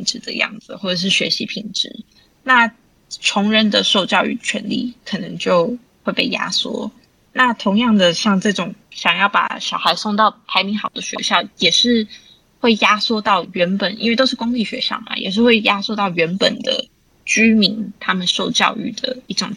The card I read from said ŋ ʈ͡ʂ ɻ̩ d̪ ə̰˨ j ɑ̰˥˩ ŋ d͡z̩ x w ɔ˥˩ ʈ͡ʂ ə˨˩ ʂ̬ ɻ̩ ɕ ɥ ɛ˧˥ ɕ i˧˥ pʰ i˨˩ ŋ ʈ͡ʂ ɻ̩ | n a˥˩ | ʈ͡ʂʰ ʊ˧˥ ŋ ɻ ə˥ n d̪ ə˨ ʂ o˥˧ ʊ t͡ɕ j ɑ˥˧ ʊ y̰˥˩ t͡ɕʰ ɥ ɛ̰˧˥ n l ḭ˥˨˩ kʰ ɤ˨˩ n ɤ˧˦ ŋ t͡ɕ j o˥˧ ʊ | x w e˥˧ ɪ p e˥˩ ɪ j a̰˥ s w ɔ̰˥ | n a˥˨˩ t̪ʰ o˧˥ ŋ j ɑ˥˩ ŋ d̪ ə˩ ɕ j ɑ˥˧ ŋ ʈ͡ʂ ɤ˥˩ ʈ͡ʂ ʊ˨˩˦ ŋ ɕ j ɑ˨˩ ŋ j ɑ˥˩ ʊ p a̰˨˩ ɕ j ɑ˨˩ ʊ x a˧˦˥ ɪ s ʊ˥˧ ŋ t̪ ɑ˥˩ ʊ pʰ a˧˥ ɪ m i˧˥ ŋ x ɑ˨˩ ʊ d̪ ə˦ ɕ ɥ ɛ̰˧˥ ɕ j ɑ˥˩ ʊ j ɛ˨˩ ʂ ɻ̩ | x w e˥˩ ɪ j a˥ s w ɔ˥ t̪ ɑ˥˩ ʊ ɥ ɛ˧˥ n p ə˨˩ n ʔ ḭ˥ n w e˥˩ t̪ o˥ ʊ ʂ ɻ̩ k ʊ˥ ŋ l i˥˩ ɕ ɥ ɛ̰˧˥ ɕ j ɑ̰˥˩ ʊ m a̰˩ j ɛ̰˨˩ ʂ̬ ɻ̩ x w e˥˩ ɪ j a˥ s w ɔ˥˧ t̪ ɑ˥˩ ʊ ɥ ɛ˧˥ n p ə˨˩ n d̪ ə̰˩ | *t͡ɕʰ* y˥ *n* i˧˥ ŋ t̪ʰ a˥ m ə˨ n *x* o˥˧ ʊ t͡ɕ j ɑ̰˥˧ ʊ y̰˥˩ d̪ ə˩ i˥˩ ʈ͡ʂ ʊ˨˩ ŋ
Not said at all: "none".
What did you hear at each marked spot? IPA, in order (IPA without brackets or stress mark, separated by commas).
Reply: t͡ɕ, m, ʂ